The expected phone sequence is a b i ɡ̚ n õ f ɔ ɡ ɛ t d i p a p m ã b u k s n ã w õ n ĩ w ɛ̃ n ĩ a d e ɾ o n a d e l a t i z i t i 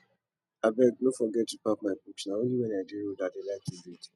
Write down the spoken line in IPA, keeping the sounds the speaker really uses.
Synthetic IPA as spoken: a b ɛ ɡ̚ n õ f ɔ ɡ ɛ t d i p a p m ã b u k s n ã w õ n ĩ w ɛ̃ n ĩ a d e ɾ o d a d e l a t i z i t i